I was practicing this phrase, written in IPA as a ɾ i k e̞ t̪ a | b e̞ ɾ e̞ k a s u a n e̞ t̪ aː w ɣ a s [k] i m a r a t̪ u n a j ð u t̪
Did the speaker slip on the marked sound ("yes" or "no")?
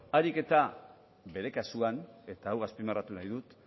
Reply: yes